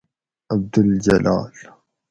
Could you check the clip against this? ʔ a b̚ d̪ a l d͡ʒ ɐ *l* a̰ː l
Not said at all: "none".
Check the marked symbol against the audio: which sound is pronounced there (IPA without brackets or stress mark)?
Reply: l